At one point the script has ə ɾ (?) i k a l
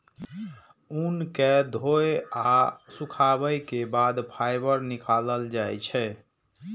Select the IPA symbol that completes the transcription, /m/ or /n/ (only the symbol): n